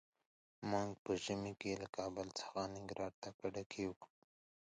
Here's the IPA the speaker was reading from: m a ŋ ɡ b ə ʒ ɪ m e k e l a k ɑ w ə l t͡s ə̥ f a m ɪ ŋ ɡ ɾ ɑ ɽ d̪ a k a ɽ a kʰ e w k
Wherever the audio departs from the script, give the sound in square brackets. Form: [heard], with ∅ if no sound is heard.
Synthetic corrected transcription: m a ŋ ɡ [p] ə ʒ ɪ m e k e l a k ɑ [b] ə l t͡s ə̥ [x] a [n] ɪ ŋ ɡ ɾ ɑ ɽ [t̪] a k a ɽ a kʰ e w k